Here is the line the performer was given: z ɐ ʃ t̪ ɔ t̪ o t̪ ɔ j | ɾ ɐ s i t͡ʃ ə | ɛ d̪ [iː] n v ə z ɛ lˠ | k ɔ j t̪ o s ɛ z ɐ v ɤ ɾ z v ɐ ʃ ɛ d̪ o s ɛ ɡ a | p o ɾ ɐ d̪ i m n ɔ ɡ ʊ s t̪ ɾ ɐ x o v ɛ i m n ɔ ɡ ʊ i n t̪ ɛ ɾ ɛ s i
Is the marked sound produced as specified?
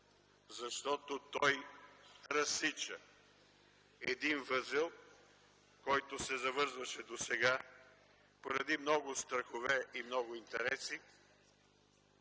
no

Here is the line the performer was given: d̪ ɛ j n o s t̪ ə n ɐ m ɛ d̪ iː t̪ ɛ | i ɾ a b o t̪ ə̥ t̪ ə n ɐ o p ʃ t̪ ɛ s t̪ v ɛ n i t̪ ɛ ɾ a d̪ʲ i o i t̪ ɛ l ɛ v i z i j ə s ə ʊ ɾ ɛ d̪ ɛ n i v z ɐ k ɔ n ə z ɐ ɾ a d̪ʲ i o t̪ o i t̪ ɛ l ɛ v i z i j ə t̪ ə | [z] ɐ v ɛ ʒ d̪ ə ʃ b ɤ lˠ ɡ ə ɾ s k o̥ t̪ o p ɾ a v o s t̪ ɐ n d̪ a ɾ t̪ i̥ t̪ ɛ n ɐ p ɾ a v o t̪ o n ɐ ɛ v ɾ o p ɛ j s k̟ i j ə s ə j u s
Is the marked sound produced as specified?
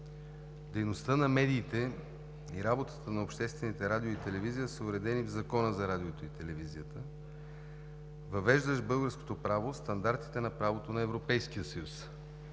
no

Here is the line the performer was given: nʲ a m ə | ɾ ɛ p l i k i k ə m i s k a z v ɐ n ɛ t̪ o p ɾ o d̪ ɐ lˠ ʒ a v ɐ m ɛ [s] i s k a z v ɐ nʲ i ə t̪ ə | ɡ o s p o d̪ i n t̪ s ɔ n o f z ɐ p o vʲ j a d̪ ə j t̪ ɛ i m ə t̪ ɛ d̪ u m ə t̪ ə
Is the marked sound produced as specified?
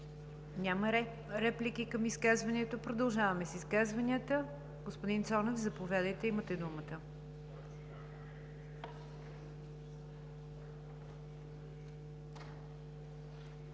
yes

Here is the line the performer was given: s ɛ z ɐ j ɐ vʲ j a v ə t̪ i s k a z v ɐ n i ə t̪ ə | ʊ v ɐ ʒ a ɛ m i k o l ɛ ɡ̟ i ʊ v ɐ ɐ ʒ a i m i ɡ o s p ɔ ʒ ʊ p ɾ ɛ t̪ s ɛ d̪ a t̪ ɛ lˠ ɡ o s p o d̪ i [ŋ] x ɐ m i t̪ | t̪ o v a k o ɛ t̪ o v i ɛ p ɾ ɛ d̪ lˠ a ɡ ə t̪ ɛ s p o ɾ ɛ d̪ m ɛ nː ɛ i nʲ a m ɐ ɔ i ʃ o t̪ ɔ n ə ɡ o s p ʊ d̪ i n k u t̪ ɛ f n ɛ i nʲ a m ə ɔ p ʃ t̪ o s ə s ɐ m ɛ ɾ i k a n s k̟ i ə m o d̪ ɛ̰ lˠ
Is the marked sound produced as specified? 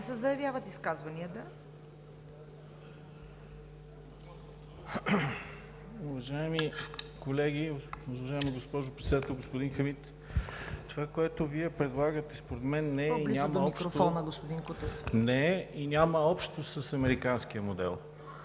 no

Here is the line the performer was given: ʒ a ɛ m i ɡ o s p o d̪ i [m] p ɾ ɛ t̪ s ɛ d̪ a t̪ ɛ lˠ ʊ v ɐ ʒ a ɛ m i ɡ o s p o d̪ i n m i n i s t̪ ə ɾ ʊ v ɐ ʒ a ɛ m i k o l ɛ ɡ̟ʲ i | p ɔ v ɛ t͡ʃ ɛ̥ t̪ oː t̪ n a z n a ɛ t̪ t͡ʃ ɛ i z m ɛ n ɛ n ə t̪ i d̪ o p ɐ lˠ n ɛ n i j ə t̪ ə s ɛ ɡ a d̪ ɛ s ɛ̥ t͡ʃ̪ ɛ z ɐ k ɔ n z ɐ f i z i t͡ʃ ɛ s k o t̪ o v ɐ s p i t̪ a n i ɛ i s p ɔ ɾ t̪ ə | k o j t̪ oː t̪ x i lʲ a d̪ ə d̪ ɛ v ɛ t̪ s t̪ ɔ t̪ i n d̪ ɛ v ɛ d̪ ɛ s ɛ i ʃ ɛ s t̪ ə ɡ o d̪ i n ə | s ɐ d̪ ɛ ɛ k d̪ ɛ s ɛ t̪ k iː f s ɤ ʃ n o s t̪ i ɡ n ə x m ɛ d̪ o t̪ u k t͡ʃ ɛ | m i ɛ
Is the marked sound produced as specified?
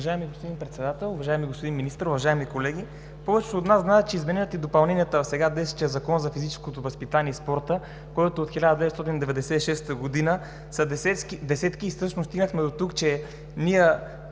no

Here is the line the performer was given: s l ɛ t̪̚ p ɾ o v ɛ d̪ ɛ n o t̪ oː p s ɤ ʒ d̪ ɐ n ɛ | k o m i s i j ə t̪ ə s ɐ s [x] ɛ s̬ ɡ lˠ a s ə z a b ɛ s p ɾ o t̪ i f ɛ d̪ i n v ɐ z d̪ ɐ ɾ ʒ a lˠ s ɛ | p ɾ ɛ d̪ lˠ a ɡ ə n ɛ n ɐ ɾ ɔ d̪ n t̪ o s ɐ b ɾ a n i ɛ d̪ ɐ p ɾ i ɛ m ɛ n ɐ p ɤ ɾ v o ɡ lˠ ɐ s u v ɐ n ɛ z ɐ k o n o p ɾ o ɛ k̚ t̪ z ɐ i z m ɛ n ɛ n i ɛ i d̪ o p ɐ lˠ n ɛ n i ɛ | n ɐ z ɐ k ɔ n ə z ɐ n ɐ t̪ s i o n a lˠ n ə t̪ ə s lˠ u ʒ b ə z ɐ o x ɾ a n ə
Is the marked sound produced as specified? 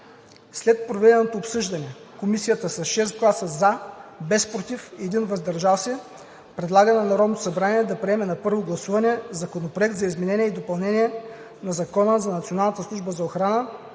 no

